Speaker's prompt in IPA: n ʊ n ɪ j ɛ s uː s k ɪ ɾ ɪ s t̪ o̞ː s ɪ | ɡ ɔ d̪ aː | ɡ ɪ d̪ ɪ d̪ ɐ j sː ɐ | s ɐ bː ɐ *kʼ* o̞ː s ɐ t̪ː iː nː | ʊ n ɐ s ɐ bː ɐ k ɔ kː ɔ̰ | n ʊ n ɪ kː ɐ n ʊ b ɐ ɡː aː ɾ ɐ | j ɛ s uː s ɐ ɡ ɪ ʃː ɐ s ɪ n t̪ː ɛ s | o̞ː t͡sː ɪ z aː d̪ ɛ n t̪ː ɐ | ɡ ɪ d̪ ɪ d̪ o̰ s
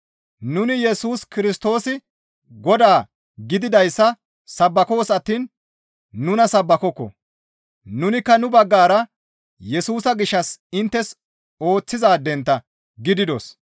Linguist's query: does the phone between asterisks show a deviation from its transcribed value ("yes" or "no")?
yes